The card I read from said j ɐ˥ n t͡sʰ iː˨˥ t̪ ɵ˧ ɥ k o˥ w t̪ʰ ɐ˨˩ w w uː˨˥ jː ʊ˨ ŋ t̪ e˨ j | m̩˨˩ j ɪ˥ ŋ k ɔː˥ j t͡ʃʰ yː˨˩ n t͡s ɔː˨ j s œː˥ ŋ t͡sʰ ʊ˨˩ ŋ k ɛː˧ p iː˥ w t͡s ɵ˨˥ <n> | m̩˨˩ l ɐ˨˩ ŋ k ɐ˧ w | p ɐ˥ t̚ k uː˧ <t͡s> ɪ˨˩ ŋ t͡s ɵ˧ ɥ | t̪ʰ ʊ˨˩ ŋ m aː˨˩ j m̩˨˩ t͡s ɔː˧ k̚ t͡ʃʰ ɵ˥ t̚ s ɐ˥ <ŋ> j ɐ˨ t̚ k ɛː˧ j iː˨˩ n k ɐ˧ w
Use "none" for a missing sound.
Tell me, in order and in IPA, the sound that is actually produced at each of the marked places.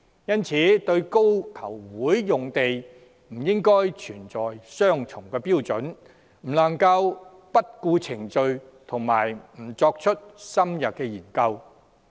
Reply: n, t͡sʰ, m

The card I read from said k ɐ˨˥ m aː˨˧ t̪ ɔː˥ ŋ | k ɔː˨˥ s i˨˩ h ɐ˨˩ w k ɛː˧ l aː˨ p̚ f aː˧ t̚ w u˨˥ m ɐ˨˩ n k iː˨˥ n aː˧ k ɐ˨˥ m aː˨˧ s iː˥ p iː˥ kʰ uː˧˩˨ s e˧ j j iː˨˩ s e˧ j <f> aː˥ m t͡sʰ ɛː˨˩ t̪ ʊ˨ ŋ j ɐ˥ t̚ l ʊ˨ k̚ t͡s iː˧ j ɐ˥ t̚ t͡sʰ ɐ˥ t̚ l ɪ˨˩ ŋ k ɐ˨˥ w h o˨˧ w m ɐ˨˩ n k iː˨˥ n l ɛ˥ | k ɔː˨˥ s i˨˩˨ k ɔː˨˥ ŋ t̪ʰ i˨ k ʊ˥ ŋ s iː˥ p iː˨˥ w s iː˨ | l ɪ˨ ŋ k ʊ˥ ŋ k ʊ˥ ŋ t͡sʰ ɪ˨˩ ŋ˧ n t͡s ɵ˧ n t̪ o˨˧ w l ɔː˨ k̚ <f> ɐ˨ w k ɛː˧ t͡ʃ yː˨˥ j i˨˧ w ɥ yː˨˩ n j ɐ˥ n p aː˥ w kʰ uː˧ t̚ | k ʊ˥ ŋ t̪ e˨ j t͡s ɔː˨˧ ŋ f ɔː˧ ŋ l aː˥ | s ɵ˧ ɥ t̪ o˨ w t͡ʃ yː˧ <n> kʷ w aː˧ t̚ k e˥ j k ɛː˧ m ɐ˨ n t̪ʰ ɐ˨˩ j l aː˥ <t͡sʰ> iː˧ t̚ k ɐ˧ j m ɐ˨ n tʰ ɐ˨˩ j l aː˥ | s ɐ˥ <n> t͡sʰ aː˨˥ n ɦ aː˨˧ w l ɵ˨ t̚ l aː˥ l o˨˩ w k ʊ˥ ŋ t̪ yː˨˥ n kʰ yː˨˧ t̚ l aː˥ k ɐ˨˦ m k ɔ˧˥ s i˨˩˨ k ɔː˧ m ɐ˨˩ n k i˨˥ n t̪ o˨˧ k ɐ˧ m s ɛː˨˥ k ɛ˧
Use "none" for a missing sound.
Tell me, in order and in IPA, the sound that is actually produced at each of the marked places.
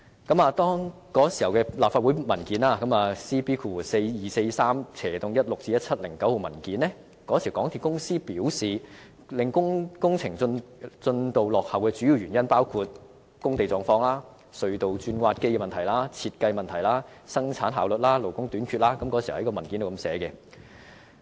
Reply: s, h, n, t͡sʰ, ŋ

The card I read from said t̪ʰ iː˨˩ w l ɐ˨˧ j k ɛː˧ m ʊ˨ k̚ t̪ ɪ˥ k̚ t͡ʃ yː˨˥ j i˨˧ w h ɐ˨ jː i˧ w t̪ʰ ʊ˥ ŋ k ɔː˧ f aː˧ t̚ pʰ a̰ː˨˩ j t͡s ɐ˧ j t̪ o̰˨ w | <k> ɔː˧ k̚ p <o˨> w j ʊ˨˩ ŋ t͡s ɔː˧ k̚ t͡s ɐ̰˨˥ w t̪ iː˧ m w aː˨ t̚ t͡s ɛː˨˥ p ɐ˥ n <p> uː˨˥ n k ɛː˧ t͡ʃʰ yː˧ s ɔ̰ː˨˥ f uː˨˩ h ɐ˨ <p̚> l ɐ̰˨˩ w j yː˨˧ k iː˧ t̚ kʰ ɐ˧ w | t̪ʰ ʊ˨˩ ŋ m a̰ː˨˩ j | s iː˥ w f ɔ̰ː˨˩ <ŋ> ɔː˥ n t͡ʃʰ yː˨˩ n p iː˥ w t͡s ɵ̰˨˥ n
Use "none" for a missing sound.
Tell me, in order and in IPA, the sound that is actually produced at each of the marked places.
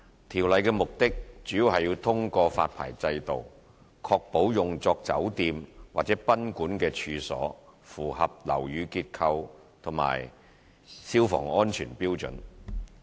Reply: kʰ, o˨˥, k, p̚, ŋ

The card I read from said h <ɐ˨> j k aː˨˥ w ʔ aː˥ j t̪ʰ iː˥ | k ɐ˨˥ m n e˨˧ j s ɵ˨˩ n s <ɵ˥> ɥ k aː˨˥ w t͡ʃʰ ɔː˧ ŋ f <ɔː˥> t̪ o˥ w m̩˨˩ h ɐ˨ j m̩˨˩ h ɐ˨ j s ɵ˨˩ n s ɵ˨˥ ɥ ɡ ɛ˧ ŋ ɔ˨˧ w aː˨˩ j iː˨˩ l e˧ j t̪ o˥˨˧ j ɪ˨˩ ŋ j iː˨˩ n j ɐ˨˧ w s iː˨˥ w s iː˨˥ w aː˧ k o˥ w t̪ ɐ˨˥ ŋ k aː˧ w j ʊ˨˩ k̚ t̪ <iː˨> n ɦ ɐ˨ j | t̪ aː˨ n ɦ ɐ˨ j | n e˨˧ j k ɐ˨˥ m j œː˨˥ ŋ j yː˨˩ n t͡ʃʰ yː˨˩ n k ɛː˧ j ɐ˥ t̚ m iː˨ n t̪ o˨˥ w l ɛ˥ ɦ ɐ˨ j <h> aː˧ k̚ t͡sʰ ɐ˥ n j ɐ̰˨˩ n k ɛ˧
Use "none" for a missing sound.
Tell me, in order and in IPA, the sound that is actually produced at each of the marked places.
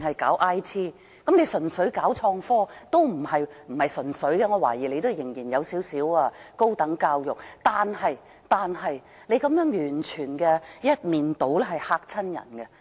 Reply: ɐ˨, ɵ˨˥, ɔː˥, aː˨, h

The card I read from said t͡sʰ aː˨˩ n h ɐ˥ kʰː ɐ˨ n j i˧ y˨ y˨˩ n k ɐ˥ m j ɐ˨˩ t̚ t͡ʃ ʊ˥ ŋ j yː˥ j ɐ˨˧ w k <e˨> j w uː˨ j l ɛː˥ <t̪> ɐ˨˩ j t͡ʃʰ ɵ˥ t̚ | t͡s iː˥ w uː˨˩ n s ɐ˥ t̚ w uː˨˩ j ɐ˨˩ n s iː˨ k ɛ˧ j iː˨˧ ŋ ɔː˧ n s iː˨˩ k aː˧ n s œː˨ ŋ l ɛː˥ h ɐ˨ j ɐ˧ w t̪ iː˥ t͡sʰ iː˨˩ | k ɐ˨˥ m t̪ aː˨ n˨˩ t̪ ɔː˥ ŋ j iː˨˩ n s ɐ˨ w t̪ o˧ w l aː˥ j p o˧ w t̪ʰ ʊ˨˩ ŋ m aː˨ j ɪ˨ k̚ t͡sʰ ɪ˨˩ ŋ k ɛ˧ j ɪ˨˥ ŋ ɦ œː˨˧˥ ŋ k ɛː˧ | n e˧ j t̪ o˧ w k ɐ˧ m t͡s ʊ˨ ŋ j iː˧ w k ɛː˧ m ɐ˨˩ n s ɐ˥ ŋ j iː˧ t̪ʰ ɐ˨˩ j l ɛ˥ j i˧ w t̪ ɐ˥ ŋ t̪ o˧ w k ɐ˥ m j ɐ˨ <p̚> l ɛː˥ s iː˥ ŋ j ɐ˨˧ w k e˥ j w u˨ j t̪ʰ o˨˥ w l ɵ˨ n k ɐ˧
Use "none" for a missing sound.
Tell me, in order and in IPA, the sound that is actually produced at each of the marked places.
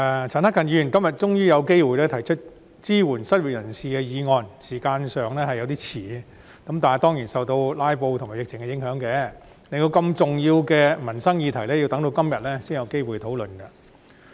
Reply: e˥, t̪ʰ, t̚

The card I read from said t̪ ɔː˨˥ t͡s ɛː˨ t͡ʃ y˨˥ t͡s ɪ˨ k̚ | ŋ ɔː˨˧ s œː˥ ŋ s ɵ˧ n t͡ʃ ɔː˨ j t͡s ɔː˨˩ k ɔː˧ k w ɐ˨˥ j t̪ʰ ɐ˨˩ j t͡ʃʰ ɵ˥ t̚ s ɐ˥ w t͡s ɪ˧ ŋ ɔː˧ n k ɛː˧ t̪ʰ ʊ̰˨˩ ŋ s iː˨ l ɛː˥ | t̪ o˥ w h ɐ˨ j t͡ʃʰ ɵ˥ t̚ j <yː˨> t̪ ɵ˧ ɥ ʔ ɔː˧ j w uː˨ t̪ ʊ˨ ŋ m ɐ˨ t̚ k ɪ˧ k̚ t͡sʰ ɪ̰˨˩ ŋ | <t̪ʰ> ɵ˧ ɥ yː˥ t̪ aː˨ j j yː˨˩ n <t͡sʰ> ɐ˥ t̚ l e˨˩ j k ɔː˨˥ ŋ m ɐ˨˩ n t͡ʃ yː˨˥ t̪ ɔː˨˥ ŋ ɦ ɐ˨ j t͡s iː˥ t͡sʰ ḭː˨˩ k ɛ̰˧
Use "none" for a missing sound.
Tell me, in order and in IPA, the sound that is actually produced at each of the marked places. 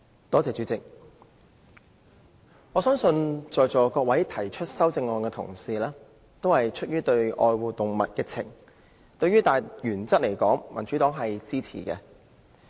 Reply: yː˥, t̪, t͡s

